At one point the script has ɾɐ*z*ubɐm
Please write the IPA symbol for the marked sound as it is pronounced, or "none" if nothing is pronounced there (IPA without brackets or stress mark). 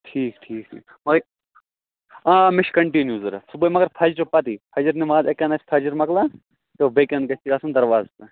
s